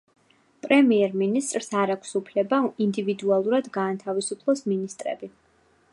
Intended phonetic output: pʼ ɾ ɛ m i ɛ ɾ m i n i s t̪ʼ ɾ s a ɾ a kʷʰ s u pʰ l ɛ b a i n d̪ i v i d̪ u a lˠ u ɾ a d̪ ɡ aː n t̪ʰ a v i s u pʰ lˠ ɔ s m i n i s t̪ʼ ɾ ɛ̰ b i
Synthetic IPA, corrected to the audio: pʼ ɾ ɛ m i ɛ ɾ m i n i s t̪ʼ ɾ s a ɾ a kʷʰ s u pʰ l ɛ b a i n d̪ i v i d̪ u a lˠ u ɾ a d̪ ɡ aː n t̪ʰ a v i s u pʰ lˠ ɔ s m i n i s t̪ʼ ɾ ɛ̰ b i